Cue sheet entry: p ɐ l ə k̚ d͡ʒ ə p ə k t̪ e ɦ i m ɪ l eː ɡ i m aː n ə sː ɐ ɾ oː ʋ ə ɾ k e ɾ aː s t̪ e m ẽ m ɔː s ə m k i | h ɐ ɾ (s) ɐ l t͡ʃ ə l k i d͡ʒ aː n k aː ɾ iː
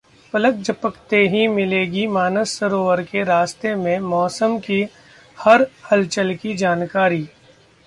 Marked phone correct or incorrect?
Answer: incorrect